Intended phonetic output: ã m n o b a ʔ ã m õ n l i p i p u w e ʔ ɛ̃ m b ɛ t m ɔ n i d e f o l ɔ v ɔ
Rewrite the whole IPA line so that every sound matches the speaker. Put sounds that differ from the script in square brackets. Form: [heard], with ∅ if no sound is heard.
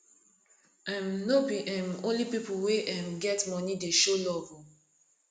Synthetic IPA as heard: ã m n o b [i] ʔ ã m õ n l i p i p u w e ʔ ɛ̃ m [ɡ] ɛ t m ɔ n i d e [ʃ] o l ɔ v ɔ